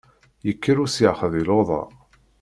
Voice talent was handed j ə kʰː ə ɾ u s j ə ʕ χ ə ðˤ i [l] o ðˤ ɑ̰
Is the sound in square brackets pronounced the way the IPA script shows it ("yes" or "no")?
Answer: yes